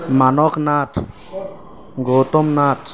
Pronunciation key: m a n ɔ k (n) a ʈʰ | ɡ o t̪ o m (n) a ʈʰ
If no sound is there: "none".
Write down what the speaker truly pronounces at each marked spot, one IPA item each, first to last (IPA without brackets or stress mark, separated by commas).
n, n